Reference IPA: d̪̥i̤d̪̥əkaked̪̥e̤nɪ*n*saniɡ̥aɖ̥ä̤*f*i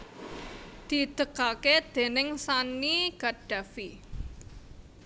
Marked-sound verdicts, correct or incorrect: incorrect, correct

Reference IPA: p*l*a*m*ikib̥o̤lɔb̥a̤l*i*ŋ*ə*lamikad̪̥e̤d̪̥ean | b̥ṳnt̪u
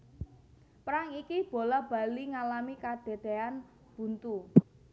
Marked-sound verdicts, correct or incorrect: incorrect, incorrect, correct, incorrect

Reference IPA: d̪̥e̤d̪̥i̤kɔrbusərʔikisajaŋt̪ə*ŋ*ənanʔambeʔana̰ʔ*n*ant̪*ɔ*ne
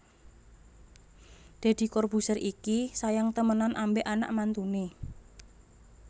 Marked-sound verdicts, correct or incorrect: incorrect, incorrect, incorrect

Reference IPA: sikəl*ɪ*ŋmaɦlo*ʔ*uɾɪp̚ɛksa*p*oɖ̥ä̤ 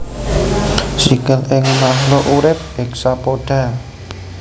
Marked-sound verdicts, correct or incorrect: correct, correct, correct

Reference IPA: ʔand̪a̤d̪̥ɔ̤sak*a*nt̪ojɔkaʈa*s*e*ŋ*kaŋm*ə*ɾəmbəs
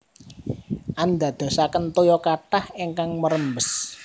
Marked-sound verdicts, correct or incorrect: incorrect, incorrect, correct, correct

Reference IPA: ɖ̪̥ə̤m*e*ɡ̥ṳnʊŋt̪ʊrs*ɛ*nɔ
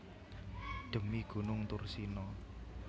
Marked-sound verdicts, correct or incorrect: incorrect, incorrect

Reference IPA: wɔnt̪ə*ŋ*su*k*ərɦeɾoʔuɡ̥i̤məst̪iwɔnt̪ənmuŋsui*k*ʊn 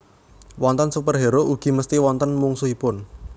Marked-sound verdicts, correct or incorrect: incorrect, incorrect, incorrect

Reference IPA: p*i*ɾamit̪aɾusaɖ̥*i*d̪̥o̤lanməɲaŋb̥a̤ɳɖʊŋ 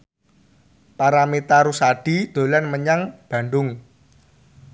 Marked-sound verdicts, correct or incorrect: incorrect, correct

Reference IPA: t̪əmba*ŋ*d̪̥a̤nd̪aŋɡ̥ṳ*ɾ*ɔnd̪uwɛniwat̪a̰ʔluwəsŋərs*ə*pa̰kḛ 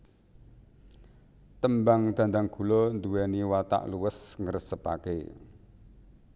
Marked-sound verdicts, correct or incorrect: correct, incorrect, correct

